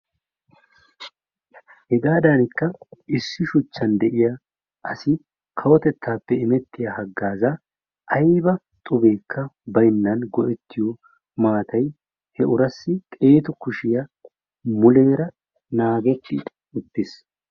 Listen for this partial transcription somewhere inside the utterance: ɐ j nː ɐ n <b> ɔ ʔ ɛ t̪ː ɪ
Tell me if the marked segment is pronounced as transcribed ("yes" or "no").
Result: no